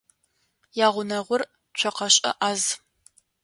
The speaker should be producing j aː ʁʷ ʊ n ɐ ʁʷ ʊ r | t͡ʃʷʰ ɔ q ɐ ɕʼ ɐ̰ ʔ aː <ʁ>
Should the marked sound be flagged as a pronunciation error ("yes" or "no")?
yes